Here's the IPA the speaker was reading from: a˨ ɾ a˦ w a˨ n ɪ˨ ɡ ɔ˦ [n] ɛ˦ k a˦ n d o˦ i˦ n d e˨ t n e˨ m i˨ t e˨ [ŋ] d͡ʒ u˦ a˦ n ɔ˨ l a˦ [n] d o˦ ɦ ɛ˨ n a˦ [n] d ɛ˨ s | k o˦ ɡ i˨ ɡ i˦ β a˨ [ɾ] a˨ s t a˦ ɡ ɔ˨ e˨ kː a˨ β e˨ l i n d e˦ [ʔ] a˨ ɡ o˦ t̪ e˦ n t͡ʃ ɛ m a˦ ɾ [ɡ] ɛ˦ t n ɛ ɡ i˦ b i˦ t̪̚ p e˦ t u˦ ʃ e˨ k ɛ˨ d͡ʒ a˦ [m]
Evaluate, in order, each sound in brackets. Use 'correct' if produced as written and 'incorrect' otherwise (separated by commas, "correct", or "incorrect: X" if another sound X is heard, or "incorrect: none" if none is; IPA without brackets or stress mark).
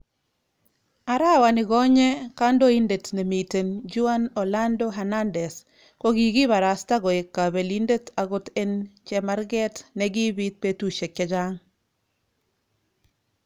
incorrect: ɲ, incorrect: n, correct, correct, correct, incorrect: t, correct, incorrect: ŋ